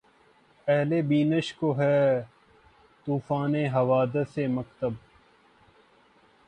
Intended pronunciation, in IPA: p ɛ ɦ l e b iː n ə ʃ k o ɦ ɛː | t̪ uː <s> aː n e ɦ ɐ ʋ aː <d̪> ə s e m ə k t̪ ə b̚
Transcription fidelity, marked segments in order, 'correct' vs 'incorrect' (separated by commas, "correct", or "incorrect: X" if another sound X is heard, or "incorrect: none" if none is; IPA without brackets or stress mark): incorrect: f, correct